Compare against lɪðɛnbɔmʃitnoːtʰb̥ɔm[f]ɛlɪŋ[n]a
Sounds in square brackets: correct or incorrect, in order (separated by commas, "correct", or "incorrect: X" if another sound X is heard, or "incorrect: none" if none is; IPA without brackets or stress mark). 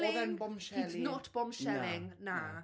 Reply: incorrect: ʃ, correct